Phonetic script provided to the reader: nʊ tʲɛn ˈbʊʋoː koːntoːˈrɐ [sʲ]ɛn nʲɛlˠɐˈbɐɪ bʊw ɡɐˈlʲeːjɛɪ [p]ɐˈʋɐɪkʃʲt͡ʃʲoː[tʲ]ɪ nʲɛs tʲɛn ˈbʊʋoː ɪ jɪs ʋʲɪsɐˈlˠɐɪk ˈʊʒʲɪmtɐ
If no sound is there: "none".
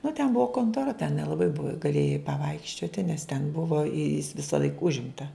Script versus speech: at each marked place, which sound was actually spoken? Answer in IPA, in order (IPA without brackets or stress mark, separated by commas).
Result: tʲ, p, tʲ